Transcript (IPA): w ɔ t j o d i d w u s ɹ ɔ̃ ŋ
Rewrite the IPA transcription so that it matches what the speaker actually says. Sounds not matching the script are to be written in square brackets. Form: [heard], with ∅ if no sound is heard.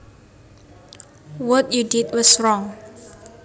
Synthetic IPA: w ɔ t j [u] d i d w [ɔ] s ɹ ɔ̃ ŋ